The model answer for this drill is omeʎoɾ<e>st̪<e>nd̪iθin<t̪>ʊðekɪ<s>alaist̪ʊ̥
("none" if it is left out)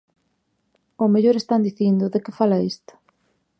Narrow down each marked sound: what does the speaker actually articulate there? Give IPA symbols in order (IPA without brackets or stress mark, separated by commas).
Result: e, a, d̪, f